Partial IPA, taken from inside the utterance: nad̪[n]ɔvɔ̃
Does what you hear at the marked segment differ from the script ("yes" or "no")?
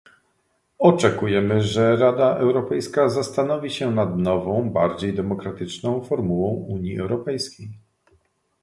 no